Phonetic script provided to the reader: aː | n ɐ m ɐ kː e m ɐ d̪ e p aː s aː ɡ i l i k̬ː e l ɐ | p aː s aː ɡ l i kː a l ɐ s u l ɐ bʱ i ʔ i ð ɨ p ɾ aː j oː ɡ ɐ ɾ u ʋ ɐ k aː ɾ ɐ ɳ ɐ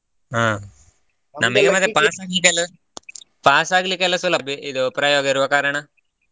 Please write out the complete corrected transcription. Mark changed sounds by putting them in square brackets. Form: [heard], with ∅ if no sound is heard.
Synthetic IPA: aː | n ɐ m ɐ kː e m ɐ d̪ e p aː s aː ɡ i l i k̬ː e l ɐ | p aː s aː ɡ l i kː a l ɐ s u l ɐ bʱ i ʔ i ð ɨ p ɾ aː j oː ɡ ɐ ɾ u ʋ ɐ k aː ɾ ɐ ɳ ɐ

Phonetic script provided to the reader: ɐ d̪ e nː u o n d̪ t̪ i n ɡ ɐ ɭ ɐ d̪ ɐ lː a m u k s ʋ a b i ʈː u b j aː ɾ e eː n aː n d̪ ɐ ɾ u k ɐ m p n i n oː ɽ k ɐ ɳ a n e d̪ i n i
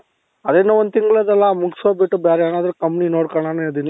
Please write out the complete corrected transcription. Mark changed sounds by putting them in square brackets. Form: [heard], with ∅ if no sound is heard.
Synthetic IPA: ɐ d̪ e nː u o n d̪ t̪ i [ŋ] ɡ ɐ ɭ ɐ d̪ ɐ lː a m u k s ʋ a b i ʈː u b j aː ɾ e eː n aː [∅] d̪ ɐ ɾ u k ɐ m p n i n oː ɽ k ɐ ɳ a n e d̪ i n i

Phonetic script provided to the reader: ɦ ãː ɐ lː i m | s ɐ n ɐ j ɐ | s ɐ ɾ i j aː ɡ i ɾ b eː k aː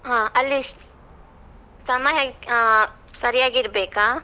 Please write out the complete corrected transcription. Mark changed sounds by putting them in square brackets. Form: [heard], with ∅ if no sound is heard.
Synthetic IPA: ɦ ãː ɐ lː i [∅] | s ɐ [m] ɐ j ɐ | s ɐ ɾ i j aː ɡ i ɾ b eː k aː

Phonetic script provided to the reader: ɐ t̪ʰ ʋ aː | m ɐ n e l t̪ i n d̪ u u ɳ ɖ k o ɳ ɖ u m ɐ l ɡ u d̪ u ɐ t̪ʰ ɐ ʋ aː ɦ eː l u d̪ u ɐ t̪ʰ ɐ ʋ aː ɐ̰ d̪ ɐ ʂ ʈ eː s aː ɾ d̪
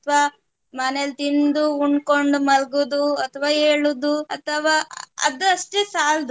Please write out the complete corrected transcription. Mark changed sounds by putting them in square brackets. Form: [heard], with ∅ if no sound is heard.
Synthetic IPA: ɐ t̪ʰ ʋ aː | m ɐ n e l t̪ i n d̪ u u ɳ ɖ k o ɳ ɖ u m ɐ l ɡ u d̪ u ɐ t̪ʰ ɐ ʋ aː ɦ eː [ɭ] u d̪ u ɐ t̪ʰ ɐ ʋ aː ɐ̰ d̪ ɐ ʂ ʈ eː s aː [l] d̪

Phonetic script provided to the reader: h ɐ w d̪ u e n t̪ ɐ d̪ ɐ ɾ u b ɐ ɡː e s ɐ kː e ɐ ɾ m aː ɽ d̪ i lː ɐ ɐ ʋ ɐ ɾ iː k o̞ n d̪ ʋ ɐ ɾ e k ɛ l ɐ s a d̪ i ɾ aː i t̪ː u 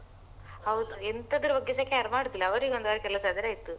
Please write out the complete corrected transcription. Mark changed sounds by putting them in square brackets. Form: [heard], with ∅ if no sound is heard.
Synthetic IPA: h ɐ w d̪ u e n t̪ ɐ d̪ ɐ ɾ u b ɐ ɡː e s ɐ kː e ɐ ɾ m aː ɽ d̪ i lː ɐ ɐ ʋ ɐ ɾ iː [ɡ] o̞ n d̪ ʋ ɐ ɾ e k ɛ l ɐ s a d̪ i ɾ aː i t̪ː u

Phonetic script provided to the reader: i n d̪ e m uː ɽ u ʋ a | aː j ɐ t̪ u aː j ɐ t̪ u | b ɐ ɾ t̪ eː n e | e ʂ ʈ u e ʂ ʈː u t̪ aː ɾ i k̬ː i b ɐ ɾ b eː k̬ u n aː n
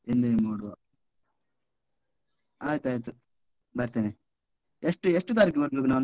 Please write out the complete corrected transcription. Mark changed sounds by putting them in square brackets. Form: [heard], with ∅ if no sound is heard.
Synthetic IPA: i n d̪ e m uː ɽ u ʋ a | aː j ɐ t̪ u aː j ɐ t̪ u | b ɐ ɾ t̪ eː n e | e ʂ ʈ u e ʂ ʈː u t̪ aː ɾ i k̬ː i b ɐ ɾ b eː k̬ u n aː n

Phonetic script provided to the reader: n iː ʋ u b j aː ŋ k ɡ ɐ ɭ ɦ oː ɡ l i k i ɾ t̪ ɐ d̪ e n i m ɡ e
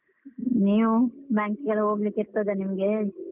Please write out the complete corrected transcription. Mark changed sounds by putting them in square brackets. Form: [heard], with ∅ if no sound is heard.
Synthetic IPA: n iː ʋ u b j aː ŋ k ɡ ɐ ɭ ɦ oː ɡ l i k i ɾ t̪ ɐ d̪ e n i m ɡ e

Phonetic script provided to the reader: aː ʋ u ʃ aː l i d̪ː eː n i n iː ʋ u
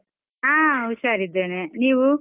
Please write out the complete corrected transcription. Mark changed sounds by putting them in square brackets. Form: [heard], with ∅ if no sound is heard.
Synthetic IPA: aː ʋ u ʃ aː [ɾ] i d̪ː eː n [e] n iː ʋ u

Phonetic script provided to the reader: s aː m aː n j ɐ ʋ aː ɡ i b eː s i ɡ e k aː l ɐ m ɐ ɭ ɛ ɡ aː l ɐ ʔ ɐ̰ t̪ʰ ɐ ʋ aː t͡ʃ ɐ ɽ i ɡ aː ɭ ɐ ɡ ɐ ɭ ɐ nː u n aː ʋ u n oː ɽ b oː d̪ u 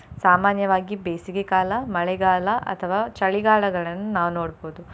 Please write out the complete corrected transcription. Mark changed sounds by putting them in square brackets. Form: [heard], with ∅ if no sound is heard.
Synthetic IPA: s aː m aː n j ɐ ʋ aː ɡ i b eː s i ɡ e k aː l ɐ m ɐ ɭ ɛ ɡ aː l ɐ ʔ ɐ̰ t̪ʰ ɐ ʋ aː t͡ʃ ɐ [ɭ] i ɡ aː ɭ ɐ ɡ ɐ ɭ ɐ nː u n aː ʋ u n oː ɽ b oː d̪ u

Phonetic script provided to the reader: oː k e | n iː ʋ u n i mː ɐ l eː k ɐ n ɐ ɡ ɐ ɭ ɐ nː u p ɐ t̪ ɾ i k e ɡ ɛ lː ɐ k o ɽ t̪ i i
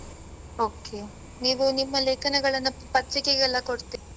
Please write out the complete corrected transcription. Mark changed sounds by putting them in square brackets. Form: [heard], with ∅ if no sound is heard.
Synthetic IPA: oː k e | n iː ʋ u n i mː ɐ l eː k ɐ n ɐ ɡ ɐ ɭ ɐ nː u p ɐ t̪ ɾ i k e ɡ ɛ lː ɐ k o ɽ t̪ i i

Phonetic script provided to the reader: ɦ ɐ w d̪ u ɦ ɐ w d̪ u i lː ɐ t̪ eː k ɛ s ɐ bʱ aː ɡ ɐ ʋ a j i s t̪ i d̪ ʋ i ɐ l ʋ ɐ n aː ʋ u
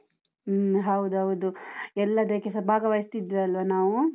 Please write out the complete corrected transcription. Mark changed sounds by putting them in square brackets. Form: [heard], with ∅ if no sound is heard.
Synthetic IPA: ɦ ɐ w d̪ u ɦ ɐ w d̪ u [ɛ] lː ɐ [d̪] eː k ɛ s ɐ bʱ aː ɡ ɐ ʋ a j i s t̪ i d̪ ʋ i ɐ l ʋ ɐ n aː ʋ u

